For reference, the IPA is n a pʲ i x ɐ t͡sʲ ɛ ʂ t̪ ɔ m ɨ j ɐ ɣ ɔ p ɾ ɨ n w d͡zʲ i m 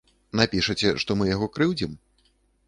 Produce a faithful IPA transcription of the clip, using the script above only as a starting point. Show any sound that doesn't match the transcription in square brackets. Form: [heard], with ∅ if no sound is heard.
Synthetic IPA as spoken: n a pʲ i [ʂ] ɐ t͡sʲ ɛ ʂ t̪ ɔ m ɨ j [a] ɣ ɔ [k] ɾ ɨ [∅] w d͡zʲ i m